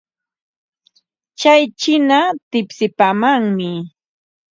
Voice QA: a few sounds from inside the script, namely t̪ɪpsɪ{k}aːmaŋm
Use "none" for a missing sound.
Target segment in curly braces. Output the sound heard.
p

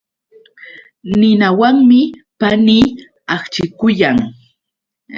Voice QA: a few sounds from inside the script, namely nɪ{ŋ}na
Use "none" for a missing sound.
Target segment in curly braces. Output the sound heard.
none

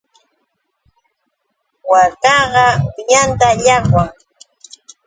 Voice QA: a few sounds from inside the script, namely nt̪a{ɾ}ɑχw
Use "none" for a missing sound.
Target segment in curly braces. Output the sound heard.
ʎ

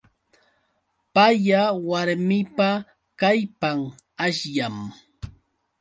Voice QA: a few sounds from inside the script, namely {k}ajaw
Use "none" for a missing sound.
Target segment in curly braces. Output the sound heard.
p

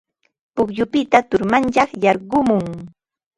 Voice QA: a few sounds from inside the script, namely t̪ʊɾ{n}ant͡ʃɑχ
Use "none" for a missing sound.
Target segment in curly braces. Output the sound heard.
m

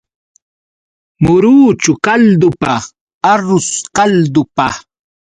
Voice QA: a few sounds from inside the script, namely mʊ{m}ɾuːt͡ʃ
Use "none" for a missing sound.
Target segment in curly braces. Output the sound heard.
none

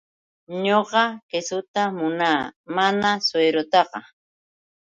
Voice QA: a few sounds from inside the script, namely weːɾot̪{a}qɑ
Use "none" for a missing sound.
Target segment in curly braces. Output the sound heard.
ɑ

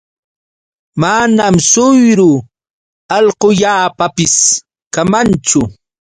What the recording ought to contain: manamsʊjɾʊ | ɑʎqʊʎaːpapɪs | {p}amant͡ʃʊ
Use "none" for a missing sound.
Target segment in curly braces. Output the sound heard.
k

